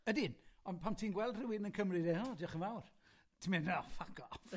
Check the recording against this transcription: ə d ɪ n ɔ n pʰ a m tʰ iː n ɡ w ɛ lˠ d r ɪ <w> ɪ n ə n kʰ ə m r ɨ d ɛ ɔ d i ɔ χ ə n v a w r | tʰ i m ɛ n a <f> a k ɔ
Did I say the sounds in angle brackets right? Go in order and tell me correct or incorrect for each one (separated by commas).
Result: correct, correct